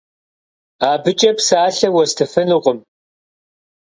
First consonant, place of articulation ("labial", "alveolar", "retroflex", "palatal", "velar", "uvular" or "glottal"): labial